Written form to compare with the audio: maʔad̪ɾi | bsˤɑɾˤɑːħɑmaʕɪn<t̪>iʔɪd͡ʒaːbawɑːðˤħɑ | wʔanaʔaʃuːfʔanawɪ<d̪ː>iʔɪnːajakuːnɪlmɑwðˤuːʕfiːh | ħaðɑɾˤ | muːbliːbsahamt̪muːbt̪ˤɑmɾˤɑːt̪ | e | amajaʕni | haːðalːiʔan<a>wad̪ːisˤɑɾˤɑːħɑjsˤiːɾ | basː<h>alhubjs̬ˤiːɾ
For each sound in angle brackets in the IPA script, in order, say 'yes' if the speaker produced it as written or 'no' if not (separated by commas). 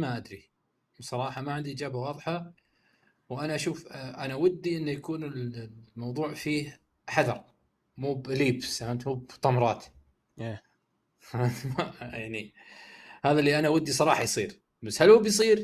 no, yes, yes, yes